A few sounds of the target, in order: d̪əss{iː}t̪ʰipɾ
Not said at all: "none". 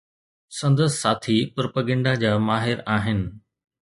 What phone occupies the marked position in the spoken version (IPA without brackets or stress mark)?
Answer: aː